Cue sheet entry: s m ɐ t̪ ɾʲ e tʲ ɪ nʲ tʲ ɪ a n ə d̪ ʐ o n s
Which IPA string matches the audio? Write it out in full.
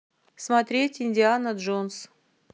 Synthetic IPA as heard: s m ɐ t̪ ɾʲ e tʲ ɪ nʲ dʲ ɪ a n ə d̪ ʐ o n s